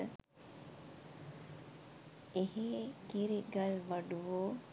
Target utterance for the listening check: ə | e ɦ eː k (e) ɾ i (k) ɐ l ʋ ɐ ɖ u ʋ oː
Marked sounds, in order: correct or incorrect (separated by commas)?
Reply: incorrect, incorrect